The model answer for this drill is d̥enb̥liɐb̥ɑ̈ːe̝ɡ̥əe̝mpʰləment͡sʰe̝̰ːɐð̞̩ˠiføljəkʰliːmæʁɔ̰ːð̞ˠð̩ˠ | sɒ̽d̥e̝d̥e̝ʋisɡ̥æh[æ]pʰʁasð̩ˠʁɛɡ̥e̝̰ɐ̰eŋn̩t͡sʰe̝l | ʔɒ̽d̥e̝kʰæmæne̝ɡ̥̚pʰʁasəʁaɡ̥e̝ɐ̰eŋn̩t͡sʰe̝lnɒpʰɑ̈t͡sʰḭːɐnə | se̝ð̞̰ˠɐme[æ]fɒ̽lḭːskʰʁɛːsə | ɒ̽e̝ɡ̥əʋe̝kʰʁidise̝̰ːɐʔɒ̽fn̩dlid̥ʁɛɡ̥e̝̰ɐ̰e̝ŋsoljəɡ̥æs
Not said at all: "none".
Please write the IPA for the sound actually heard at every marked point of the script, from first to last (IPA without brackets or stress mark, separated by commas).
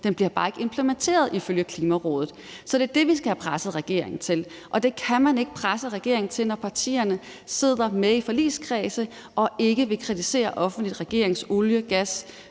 æ, i